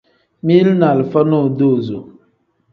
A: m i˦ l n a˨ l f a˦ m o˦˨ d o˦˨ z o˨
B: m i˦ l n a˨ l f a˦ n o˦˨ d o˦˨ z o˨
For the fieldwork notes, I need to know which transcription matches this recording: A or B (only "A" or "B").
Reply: B